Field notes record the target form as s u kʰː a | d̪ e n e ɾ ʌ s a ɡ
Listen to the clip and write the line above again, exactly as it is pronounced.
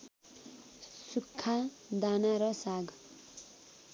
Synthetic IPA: s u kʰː a | d̪ a n a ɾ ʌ s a ɡ